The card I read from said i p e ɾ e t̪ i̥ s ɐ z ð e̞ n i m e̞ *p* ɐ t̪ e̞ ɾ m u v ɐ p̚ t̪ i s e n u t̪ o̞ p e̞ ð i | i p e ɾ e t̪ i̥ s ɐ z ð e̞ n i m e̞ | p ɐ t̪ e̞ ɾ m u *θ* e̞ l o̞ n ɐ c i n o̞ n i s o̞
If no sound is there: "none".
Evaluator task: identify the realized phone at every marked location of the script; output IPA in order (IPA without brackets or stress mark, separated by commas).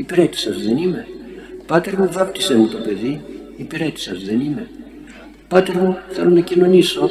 p, θ